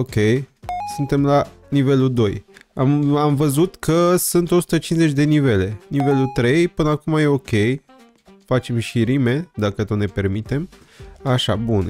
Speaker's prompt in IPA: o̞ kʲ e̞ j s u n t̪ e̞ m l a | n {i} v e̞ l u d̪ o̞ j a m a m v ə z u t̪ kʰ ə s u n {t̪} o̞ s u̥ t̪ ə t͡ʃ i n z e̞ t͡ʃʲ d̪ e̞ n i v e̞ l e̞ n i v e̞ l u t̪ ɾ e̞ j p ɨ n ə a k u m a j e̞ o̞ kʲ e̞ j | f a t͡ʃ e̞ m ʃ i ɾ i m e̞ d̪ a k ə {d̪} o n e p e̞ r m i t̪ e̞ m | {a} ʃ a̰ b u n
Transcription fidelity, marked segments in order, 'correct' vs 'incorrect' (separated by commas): correct, correct, incorrect, correct